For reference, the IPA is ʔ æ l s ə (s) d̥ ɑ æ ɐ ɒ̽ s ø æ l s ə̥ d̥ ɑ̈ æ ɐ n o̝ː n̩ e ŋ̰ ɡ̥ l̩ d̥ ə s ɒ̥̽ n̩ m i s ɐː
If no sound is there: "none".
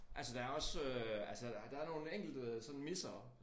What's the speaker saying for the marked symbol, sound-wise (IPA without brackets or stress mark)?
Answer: none